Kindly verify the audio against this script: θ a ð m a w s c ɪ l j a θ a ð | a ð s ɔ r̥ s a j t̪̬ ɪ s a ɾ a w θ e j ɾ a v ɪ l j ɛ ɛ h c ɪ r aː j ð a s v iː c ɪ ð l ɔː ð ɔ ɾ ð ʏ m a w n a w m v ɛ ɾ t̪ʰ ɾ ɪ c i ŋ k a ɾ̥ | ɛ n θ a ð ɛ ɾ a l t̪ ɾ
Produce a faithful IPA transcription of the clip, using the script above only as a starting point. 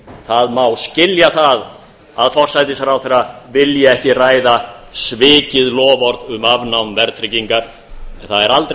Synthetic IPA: θ a ð m a w s c ɪ l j a θ a ð | a ð f ɔ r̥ s a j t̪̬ ɪ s a ɾ a w θ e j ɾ a v ɪ l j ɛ ɛ h c ɪ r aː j ð a s v ɪː c ɪ ð l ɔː v ɔ ɾ ð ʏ m a v n a w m v ɛ ɾ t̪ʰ ɾ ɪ c i ŋ k a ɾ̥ | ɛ n θ a ð ɛ ɾ a l t̪ ɾ